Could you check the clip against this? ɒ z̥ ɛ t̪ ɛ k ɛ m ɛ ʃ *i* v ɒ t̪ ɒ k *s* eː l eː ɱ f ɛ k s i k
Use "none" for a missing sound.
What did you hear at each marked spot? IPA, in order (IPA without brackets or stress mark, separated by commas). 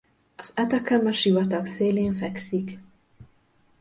i, s